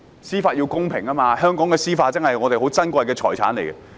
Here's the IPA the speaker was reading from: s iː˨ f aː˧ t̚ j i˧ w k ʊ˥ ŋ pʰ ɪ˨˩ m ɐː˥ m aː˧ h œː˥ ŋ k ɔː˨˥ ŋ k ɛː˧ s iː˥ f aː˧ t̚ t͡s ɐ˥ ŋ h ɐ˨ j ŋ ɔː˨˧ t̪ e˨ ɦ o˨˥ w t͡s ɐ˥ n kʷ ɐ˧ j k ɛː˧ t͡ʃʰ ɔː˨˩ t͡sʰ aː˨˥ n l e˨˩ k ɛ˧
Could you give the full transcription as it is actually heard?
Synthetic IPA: s iː˥ f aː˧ t̚ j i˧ w k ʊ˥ ŋ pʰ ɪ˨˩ ŋ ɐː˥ m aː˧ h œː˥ ŋ k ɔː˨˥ ŋ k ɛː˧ s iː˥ f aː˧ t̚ t͡s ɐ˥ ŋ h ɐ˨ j ŋ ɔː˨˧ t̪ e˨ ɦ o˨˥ w t͡s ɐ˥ n kʷ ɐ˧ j k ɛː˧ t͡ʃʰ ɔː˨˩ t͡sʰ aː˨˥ n l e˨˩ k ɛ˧